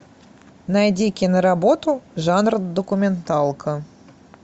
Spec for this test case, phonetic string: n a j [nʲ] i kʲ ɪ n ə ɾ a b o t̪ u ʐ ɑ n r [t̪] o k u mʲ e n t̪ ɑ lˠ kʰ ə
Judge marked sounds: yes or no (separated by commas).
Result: no, no